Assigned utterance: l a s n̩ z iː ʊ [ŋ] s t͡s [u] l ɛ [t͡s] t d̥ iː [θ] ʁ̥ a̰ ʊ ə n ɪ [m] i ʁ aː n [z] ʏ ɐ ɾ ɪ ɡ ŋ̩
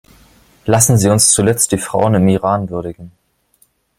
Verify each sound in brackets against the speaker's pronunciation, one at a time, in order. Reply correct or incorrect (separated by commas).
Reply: incorrect, correct, correct, incorrect, correct, incorrect